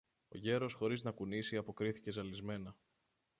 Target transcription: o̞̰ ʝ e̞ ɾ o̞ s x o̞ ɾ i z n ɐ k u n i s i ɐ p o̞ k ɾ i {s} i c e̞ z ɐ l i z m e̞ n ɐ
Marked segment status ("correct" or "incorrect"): incorrect